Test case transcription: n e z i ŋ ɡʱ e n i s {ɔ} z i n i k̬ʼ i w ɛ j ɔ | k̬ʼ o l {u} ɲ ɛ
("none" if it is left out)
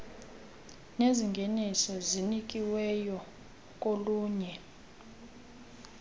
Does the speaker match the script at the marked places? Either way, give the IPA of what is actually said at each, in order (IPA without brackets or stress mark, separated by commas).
ɔ, uː